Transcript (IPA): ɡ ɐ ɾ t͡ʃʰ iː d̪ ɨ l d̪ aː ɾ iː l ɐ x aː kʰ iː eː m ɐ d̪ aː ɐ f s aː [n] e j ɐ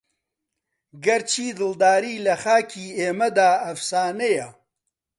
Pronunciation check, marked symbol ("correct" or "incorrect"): correct